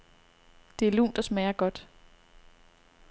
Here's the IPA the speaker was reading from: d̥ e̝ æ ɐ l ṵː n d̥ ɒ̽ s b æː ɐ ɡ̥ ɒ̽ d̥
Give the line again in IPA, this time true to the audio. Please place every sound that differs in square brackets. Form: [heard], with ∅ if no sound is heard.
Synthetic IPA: d̥ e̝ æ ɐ l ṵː n d̥ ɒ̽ s [m] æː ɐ ɡ̥ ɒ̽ d̥